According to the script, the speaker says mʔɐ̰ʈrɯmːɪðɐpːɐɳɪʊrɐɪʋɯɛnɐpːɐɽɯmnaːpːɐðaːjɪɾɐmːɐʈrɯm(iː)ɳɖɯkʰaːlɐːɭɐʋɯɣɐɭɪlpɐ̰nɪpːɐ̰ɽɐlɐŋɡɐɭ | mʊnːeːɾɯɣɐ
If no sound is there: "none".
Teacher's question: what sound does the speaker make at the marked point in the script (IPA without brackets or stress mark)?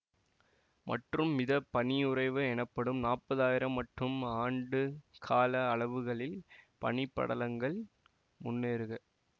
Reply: aː